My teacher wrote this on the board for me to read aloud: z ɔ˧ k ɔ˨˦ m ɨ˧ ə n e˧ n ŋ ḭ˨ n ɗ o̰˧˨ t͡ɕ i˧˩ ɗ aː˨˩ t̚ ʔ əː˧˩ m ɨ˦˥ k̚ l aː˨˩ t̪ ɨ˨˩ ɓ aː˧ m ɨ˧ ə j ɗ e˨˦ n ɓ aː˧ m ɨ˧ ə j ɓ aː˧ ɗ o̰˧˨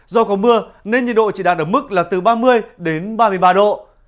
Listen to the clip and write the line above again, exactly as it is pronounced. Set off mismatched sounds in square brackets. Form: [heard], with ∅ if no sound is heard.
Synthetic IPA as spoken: z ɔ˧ k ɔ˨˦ m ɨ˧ ə n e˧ n [ɲ] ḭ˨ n ɗ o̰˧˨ t͡ɕ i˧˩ ɗ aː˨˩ t̚ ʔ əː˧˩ m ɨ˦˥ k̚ l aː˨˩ t̪ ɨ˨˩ ɓ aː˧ m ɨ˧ ə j ɗ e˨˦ n ɓ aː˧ m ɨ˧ ə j ɓ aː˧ ɗ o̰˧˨

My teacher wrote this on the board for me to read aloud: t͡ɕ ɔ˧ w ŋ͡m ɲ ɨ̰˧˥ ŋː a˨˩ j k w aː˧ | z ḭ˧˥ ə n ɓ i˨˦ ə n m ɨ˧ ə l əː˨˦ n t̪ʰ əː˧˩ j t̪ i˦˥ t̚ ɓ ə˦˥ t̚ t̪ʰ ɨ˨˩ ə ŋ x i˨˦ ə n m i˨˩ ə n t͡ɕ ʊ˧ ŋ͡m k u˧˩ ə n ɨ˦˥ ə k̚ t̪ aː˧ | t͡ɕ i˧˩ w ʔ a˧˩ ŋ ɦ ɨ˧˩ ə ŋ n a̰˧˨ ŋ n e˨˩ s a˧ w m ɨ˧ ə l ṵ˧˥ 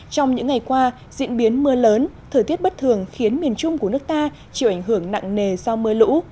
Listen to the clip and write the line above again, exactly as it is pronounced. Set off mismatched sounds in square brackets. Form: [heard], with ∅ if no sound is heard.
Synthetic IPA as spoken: t͡ɕ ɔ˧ w ŋ͡m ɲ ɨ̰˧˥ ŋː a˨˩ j k w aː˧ | z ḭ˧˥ ə n ɓ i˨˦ ə n m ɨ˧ ə l əː˨˦ n t̪ʰ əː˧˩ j t̪ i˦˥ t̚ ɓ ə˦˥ t̚ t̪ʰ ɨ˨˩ ə ŋ x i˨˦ ə n m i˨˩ ə n t͡ɕ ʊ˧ ŋ͡m k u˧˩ ə n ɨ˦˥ ə k̚ t̪ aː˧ | t͡ɕ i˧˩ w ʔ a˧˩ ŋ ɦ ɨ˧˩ ə ŋ n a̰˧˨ ŋ n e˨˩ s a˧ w m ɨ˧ ə l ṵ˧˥

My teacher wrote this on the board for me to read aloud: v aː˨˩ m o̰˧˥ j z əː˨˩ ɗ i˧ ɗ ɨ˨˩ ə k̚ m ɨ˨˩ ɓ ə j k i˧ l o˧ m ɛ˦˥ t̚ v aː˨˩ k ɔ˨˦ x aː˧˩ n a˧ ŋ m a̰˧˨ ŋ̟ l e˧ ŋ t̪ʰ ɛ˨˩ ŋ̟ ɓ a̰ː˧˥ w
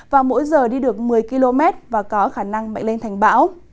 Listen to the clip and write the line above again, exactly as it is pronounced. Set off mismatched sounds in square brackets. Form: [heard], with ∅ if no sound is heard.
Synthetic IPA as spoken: v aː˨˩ m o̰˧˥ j z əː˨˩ ɗ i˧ ɗ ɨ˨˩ ə k̚ m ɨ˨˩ [∅] ə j k i˧ l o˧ m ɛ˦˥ t̚ v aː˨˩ k ɔ˨˦ x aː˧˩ n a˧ ŋ m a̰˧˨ ŋ̟ l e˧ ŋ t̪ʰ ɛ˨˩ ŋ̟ ɓ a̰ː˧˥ w

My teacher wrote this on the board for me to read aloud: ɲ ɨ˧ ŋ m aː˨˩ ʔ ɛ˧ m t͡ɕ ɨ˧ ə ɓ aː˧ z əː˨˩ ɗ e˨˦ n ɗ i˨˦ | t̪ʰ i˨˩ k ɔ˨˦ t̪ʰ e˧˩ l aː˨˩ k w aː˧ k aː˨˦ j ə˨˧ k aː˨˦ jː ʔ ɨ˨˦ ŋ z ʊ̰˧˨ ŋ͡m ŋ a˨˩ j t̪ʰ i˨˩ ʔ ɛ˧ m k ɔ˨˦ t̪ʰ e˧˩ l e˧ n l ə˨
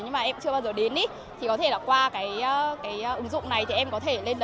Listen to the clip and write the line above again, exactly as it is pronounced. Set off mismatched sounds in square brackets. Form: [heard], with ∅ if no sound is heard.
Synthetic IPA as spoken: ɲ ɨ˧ ŋ m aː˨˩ ʔ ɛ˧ m t͡ɕ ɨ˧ ə ɓ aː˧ z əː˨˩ ɗ e˨˦ n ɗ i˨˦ | t̪ʰ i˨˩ k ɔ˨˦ t̪ʰ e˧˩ l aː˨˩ k w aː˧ k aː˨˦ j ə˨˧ k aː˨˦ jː ʔ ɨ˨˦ ŋ z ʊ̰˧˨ ŋ͡m [n] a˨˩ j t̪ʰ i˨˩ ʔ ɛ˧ m k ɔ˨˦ t̪ʰ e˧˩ l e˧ n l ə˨

